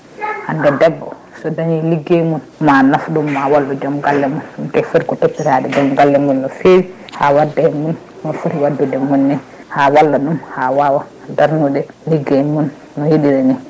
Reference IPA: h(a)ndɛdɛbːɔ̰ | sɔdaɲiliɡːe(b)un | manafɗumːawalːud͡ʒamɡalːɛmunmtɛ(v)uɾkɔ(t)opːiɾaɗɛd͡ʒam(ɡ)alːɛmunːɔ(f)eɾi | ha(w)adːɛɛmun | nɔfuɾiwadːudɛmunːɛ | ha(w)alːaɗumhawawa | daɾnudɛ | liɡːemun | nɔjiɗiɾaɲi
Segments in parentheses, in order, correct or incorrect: correct, incorrect: m, incorrect: f, correct, correct, correct, correct, correct

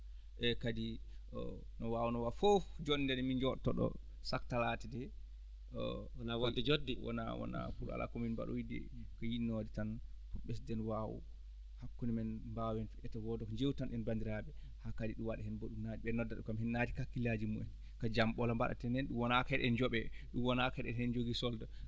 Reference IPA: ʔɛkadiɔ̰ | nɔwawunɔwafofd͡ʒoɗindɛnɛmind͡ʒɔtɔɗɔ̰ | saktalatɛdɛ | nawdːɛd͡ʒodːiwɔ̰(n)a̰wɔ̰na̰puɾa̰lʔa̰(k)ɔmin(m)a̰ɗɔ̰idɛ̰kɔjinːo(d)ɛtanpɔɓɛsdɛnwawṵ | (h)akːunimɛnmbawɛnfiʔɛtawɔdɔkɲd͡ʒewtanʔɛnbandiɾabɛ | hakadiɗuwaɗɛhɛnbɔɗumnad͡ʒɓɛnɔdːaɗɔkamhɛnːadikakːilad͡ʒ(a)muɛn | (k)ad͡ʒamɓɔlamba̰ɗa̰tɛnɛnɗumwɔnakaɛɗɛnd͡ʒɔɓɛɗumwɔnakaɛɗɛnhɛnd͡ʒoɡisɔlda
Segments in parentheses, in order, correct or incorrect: correct, correct, incorrect: b, correct, correct, incorrect: i, correct

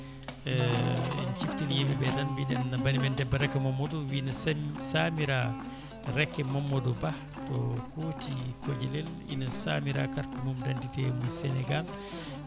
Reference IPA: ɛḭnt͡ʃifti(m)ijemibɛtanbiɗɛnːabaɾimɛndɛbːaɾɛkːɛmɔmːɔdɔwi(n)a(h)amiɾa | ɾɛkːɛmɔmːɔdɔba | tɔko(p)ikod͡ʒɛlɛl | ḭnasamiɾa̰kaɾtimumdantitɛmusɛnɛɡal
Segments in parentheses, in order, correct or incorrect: incorrect: n, correct, incorrect: s, incorrect: t

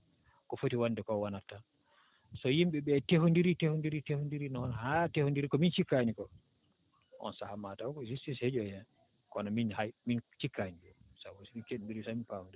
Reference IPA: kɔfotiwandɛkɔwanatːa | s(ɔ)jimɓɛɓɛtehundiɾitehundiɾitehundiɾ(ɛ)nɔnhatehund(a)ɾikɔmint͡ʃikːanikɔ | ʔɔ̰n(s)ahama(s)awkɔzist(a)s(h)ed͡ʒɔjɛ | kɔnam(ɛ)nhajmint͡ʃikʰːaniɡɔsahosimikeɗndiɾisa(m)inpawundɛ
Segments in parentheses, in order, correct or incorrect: correct, incorrect: i, incorrect: i, correct, incorrect: t, incorrect: i, correct, incorrect: i, correct

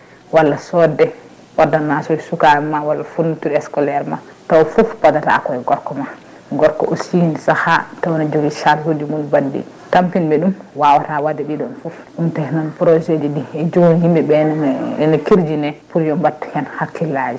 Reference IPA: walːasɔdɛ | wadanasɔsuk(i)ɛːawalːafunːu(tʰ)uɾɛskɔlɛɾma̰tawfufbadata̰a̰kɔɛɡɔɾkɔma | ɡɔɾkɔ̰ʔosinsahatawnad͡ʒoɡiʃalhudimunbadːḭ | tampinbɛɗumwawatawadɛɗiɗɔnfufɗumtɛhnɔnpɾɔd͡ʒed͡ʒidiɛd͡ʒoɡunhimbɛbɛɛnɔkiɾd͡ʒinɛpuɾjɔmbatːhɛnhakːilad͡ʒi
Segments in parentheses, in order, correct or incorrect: incorrect: a, incorrect: t

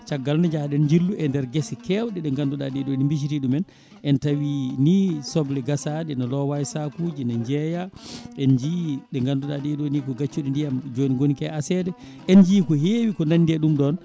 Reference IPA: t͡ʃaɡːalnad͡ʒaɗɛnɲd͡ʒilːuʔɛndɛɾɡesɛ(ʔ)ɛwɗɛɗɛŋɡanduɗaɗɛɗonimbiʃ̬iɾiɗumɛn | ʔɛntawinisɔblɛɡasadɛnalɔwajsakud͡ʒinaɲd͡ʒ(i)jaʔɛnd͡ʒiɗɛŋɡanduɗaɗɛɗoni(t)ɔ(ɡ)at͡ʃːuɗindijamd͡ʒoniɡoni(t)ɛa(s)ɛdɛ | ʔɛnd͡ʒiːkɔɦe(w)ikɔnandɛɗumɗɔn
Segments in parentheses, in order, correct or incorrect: incorrect: k, incorrect: ɛ, incorrect: k, correct, incorrect: k, correct, correct

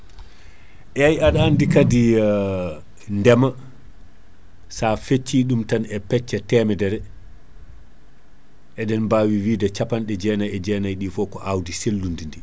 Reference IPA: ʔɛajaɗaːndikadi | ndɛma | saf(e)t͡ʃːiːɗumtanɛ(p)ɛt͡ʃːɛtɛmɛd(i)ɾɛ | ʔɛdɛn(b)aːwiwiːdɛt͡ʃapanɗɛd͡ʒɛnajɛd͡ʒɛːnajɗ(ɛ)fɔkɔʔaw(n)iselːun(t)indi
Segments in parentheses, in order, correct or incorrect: correct, correct, incorrect: ɛ, correct, incorrect: i, incorrect: d, incorrect: d

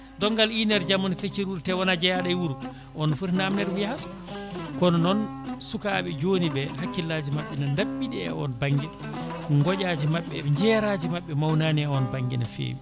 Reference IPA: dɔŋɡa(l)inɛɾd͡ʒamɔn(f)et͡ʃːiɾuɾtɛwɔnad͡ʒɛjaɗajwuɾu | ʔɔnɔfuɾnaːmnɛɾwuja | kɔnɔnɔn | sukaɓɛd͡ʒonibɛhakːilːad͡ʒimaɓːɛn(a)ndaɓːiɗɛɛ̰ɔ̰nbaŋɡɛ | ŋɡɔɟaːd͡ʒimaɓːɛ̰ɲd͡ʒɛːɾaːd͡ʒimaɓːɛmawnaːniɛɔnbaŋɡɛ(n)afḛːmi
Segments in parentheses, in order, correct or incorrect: correct, correct, correct, correct

